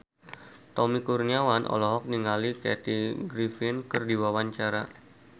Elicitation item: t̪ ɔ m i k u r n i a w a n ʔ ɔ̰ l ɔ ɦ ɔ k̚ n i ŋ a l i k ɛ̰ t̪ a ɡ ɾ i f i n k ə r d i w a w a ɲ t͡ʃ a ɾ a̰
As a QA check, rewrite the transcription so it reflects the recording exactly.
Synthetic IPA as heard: t̪ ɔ m i k u r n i a w a n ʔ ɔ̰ l ɔ ɦ ɔ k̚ n i ŋ a l i k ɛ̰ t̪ i ɡ ɾ i f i n k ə r d i w a w a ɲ t͡ʃ a ɾ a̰

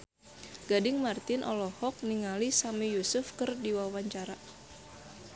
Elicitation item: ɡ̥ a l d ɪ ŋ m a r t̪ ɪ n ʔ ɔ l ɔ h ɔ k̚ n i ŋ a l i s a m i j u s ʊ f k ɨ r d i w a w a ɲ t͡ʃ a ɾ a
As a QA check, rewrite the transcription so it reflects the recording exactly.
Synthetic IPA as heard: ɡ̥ a d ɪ ŋ m a r t̪ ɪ n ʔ ɔ l ɔ h ɔ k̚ n i ŋ a l i s a m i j u s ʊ f k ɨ r d i w a w a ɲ t͡ʃ a ɾ a

